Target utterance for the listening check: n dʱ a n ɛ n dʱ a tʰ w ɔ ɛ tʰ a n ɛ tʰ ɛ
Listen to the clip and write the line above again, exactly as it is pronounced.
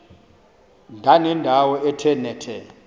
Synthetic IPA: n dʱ a n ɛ n dʱ a w ɔ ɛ tʰ ɛ n ɛ tʰ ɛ